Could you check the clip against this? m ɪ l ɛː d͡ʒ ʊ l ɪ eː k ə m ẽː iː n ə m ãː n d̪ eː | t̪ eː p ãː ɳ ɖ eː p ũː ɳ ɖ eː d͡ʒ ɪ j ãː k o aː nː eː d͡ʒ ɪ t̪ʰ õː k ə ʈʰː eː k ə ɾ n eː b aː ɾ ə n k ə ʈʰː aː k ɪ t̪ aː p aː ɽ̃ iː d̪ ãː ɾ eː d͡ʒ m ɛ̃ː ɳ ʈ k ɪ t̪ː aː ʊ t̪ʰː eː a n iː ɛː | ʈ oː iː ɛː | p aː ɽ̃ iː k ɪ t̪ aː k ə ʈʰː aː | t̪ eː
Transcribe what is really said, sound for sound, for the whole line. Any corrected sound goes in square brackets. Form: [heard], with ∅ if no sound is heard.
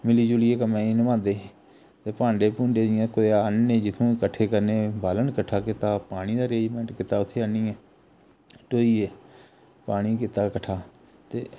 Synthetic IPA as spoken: m ɪ l [iː] d͡ʒ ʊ l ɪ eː k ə m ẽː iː n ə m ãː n d̪ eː | t̪ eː p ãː ɳ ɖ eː p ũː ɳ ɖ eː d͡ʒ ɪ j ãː k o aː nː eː d͡ʒ ɪ t̪ʰ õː k ə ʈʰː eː k ə ɾ n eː b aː [l] ə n k ə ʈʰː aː k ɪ t̪ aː p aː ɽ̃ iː d̪ [aː] ɾ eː d͡ʒ m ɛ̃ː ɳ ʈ k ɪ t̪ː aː ʊ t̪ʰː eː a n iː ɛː | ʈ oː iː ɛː | p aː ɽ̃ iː k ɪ t̪ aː k ə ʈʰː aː | t̪ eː